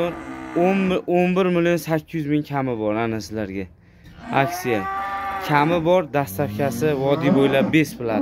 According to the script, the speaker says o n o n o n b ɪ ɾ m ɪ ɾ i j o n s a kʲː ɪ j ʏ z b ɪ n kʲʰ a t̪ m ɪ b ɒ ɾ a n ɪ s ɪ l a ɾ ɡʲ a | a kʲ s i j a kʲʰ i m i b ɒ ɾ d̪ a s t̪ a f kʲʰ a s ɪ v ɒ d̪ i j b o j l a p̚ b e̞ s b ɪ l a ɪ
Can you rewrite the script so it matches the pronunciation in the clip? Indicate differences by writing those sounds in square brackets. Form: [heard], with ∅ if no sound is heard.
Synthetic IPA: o n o n o n b ɪ ɾ m ɪ [l] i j o n s a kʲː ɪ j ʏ z [m] ɪ [ŋ] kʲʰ a [∅] m ɪ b ɒ ɾ a n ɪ s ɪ l a ɾ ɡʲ a | a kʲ s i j a kʲʰ [a] m [ɪ] b ɒ ɾ d̪ a s t̪ a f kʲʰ a s ɪ v ɒ d̪ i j b o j l a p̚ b e̞ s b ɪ l a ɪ

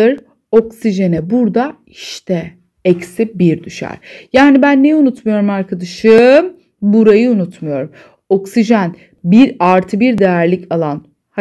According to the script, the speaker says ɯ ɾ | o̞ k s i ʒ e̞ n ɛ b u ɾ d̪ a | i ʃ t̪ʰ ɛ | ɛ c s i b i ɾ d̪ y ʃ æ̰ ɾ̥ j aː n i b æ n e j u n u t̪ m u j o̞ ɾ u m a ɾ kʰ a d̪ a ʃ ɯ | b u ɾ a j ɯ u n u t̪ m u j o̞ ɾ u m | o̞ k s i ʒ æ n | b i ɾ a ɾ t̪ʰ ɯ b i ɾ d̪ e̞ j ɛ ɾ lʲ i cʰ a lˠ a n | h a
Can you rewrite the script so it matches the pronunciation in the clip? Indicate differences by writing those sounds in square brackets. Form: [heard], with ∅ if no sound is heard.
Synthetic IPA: ɯ ɾ | o̞ k s i ʒ e̞ n ɛ b u ɾ d̪ a | i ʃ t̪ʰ ɛ | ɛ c s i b i ɾ d̪ y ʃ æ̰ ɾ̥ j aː n i b æ [nː] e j u n u t̪ m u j o̞ ɾ u m a ɾ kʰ a d̪ a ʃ ɯ | b u ɾ a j ɯ u n u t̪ m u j o̞ ɾ u m | o̞ k s i ʒ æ n | b i ɾ a ɾ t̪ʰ ɯ b i ɾ d̪ e̞ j [æ] ɾ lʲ i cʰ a lˠ a n | h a

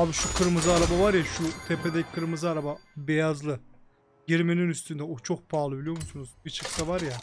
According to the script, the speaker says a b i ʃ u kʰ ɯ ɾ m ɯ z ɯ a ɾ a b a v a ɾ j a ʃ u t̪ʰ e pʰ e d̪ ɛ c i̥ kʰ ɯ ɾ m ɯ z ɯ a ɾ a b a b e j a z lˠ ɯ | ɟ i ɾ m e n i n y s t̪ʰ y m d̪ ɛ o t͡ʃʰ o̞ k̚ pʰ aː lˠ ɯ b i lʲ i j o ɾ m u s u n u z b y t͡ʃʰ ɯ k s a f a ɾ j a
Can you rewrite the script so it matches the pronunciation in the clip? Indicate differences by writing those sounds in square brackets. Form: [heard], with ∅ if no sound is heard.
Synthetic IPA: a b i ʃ u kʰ ɯ ɾ m ɯ z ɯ a ɾ a b a v a ɾ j a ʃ u t̪ʰ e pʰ e d̪ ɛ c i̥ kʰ ɯ ɾ m ɯ z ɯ a ɾ a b a b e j a z lˠ ɯ | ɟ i ɾ m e n i n y s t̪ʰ y [n] d̪ ɛ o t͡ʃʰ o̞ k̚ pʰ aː lˠ ɯ b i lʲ i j o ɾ m u s u n u z b [i] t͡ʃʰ ɯ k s a [v] a ɾ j a

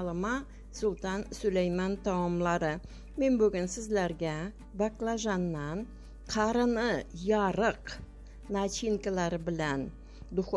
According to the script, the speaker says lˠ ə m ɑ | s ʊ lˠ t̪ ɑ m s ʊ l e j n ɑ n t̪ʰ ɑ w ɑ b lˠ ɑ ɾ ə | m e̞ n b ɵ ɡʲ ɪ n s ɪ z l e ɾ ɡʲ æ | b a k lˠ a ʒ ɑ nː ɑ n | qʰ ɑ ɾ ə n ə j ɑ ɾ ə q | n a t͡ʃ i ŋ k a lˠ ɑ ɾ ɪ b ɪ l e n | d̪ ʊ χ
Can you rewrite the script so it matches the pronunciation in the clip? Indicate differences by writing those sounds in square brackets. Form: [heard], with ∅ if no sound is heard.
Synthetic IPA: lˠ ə m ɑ | s ʊ lˠ t̪ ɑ [n] s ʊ l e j [m] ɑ n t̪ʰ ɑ w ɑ [m] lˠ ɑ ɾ ə | m e̞ n b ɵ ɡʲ ɪ n s ɪ z l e ɾ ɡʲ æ | b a k lˠ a ʒ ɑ nː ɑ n | qʰ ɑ ɾ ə n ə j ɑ ɾ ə q | n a t͡ʃ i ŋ k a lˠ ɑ ɾ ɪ b ɪ l [æ] n | d̪ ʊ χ

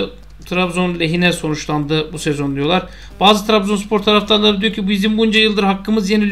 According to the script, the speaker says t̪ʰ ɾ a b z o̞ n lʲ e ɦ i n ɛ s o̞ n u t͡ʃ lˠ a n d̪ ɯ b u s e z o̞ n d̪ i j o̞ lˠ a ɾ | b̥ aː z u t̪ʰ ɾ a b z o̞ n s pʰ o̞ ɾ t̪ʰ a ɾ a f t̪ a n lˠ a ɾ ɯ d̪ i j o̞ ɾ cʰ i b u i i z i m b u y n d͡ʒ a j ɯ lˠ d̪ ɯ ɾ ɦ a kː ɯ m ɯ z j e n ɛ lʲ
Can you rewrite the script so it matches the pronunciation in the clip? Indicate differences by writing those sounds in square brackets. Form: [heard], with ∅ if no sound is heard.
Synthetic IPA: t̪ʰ ɾ a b z o̞ n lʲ e ɦ i n ɛ s o̞ n u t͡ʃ lˠ a n d̪ ɯ b u s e z o̞ n d̪ i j o̞ lˠ a ɾ | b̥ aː z [ɯ] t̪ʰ ɾ a b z o̞ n s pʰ o̞ ɾ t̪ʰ a ɾ a f t̪ a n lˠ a ɾ ɯ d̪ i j o̞ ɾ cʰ i b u i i z i m b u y n d͡ʒ a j ɯ lˠ d̪ ɯ ɾ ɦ a kː ɯ m ɯ z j e n [i] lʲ

